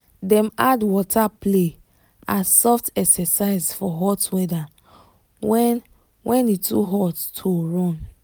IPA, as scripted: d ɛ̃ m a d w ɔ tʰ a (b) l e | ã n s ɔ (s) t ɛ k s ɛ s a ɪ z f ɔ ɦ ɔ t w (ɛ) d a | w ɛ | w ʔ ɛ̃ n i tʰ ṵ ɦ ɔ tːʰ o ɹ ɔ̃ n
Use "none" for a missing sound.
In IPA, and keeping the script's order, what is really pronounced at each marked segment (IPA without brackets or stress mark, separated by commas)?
p, f, ɛ